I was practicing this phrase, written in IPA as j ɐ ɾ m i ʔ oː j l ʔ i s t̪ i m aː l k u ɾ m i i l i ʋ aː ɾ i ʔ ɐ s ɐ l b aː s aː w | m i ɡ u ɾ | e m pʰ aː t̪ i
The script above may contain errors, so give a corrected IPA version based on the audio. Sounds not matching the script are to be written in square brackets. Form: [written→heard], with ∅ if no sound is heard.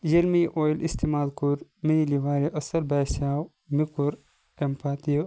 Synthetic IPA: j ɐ [ɾ→l] m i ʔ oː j l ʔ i s t̪ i m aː l k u ɾ m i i l i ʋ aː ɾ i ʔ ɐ s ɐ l b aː s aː w | m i [ɡ→k] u ɾ | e m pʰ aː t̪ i

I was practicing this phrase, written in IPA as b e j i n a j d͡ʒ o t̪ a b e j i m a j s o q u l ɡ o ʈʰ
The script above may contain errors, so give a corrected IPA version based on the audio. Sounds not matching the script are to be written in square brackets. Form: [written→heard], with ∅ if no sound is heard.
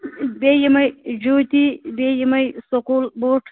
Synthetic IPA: b e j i [n→m] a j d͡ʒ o t̪ [a→i] b e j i m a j s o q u l [ɡ→b] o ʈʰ

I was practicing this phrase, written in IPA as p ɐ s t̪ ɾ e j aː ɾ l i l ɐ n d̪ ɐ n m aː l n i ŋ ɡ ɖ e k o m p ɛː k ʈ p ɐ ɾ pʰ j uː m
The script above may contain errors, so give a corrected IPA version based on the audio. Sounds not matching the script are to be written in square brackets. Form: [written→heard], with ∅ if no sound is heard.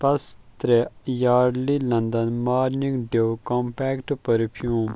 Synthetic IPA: p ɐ s t̪ ɾ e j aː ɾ l i l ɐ n d̪ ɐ n m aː [l→ɾ] n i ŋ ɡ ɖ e k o m p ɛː k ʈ p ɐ ɾ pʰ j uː m

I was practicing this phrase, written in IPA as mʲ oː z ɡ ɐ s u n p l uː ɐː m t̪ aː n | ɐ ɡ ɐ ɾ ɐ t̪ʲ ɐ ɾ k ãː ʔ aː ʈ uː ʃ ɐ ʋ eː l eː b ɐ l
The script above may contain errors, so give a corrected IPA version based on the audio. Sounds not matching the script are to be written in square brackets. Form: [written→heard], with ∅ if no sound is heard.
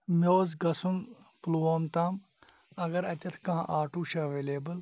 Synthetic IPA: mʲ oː z ɡ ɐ s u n p l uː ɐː m t̪ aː [n→m] | ɐ ɡ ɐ ɾ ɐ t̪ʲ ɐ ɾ k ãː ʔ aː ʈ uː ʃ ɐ ʋ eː l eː b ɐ l

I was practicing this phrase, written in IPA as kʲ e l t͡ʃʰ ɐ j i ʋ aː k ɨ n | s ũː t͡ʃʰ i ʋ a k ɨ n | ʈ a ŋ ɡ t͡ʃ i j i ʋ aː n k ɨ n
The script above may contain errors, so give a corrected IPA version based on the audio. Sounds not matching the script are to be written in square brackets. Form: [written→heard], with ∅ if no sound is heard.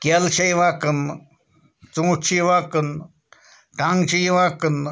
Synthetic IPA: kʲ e l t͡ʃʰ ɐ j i ʋ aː k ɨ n | [s→t͡s] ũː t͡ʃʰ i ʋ a k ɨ n | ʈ a ŋ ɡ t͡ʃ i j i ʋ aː [n→∅] k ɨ n

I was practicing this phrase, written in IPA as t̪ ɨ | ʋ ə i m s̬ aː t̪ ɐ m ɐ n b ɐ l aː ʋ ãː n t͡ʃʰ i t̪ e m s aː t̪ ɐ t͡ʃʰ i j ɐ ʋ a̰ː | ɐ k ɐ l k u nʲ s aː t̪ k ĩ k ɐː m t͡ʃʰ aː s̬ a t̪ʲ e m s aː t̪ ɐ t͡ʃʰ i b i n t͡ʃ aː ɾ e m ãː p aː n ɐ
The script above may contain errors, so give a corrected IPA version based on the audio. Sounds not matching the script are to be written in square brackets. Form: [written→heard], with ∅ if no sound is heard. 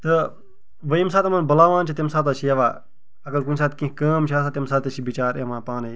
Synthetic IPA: t̪ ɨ | ʋ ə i m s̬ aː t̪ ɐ m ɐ n b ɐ l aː ʋ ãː n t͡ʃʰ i t̪ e m s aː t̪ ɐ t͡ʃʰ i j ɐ ʋ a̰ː | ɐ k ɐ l k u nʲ s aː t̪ k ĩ k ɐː m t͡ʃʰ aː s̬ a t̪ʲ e m s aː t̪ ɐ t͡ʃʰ i b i [n→∅] t͡ʃ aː ɾ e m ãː p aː n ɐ

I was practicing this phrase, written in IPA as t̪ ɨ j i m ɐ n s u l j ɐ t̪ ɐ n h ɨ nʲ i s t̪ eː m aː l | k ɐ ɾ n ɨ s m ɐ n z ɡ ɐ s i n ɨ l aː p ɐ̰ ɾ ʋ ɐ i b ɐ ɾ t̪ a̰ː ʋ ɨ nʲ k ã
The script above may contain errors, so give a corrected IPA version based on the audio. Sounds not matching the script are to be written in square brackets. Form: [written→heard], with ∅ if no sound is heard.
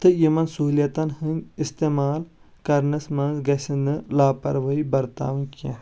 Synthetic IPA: t̪ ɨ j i m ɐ n s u l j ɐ t̪ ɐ n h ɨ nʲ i s t̪ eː m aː l | k ɐ ɾ n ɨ s m ɐ n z ɡ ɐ s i n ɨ l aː p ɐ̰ ɾ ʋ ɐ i b ɐ ɾ t̪ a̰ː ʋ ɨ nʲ k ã

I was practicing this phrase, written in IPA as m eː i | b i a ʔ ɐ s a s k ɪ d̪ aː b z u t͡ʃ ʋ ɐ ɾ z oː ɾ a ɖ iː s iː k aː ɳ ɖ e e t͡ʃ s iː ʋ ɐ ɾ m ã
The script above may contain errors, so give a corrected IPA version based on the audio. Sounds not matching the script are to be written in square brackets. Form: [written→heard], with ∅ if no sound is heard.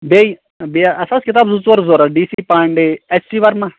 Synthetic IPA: [m→b] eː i | b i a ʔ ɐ s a s k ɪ [d̪→t̪] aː b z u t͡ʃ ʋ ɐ ɾ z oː ɾ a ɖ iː s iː [k→p] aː ɳ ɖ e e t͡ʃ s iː ʋ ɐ ɾ m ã

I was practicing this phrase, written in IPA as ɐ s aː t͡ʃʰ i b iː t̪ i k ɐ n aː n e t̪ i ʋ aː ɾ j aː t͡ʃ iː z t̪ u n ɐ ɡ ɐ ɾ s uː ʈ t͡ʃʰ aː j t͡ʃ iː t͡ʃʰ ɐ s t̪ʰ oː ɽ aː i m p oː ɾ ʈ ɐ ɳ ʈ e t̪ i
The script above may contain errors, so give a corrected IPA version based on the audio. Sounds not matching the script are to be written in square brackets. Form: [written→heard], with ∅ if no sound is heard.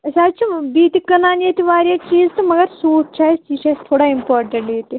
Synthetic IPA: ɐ s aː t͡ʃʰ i b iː t̪ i k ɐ n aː n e t̪ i ʋ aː ɾ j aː t͡ʃ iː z t̪ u [n→m] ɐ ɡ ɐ ɾ s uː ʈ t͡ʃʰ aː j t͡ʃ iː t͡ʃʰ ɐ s t̪ʰ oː ɽ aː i m p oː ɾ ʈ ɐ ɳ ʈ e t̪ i

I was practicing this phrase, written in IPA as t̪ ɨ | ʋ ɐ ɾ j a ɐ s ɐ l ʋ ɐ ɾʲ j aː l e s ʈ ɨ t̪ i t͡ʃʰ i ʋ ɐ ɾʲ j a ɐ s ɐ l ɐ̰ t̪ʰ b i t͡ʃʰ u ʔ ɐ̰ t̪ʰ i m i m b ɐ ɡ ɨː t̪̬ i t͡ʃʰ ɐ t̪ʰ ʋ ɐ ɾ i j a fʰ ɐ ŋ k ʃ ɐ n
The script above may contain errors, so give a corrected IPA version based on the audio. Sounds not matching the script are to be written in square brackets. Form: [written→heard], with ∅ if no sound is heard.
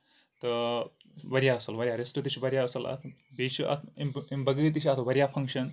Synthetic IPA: t̪ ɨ | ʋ ɐ ɾ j a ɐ s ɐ l ʋ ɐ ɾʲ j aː [l→ɾ] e s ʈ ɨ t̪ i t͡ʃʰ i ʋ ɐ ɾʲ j a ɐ s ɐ l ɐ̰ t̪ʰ b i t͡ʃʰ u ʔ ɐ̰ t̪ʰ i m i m b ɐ ɡ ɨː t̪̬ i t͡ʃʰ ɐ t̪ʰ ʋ ɐ ɾ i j a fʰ ɐ ŋ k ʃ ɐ n

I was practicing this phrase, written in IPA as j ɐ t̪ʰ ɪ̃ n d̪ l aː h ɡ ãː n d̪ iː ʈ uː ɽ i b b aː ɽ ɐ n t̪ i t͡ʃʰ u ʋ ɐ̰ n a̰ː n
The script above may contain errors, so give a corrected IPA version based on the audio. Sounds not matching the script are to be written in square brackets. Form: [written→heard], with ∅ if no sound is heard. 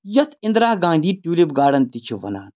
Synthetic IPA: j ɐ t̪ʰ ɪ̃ n d̪ [l→ɾ] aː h ɡ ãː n d̪ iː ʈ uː [ɽ→l] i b [b→ɡ] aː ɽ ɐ n t̪ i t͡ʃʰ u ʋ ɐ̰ n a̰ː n

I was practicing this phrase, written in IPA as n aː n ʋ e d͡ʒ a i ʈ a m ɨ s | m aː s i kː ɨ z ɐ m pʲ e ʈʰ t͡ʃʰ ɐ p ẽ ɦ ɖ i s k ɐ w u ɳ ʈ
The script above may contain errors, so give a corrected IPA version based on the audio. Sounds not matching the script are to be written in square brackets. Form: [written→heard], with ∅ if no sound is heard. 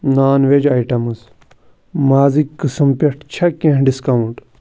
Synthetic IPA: n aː n ʋ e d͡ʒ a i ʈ [a→ɐ] m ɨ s | m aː [s→z] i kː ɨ [z→s] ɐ m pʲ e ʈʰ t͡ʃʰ ɐ [p→k] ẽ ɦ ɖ i s k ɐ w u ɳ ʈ

